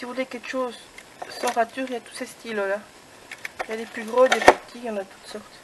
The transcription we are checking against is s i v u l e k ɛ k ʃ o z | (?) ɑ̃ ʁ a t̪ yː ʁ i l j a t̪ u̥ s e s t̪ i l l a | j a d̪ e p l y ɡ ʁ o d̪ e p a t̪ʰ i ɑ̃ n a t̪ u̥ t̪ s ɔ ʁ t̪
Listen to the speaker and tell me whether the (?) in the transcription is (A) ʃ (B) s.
B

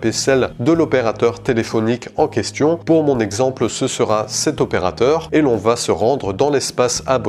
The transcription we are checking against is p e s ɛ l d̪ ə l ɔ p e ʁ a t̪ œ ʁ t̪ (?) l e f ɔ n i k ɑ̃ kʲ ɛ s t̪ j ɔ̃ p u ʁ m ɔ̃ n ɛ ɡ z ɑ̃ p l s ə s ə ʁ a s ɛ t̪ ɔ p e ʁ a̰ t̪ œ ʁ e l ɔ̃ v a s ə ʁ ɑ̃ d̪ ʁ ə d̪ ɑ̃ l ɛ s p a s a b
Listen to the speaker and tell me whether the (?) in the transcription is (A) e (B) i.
A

